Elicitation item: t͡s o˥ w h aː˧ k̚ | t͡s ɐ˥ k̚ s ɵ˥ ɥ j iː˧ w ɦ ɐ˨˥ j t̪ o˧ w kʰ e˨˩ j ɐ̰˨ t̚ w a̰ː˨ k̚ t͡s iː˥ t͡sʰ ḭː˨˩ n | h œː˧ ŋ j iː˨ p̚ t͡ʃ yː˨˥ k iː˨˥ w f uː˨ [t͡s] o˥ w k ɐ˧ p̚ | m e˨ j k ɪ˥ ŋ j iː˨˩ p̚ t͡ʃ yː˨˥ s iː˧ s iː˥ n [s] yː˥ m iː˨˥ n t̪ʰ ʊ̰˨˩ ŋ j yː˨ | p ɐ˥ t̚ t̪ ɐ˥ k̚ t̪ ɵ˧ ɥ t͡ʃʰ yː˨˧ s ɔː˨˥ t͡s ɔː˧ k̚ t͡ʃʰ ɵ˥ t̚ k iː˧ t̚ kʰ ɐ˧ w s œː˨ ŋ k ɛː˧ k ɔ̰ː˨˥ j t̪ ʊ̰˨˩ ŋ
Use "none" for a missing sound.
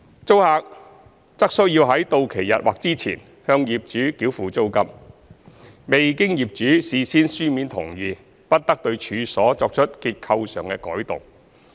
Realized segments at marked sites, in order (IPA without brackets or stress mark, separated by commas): t͡s, s